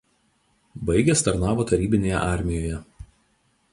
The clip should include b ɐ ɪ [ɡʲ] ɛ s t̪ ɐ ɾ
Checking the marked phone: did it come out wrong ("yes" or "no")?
no